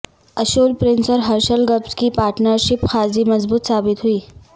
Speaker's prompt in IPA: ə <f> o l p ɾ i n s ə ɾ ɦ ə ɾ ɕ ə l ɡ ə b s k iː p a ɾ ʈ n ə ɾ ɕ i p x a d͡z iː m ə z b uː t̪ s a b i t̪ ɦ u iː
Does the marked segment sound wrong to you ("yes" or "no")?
yes